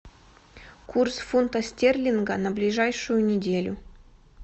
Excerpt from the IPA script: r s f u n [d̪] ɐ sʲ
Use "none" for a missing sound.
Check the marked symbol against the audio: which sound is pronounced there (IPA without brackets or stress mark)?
t̪